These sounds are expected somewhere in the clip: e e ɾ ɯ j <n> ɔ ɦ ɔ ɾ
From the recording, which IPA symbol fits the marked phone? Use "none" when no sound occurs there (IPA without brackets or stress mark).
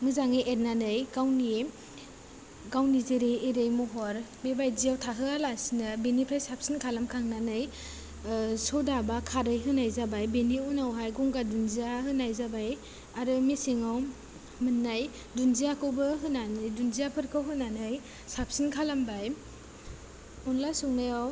m